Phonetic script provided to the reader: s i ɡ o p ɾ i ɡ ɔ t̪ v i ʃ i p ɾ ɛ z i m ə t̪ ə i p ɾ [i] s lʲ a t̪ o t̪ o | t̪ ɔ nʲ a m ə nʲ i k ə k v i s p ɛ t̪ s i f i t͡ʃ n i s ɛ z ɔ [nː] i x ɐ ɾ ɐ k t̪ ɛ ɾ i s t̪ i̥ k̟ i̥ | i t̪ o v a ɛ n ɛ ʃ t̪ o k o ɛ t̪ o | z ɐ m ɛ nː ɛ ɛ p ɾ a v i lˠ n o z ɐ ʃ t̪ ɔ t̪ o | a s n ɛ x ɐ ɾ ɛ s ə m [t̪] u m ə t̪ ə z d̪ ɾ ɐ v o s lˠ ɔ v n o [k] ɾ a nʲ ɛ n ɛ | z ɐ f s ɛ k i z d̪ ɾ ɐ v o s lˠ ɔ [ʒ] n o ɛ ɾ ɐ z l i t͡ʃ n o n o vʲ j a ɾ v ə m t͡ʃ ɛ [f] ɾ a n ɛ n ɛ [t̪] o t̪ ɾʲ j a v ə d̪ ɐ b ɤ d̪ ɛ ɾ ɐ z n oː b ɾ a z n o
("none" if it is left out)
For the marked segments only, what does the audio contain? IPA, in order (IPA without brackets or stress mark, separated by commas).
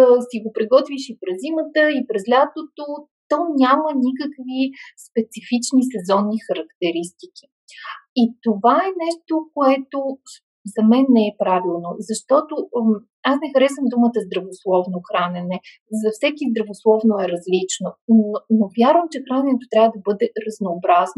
ɛ, nː, d̪, x, v, x, t̪